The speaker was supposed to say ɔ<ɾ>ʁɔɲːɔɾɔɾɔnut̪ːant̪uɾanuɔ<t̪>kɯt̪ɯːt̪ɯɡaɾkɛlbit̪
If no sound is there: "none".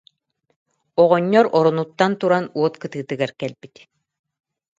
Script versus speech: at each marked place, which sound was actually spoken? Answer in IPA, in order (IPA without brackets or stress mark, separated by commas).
none, t̪